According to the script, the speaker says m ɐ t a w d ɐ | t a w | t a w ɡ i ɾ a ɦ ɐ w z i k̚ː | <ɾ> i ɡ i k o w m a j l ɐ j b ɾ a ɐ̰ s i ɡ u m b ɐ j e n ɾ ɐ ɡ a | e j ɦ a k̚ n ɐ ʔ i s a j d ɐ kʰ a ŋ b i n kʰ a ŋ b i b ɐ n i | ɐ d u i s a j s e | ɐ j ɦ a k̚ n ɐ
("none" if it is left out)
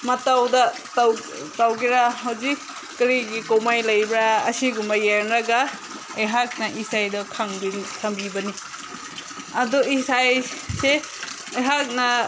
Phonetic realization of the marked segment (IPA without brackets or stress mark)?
ɾ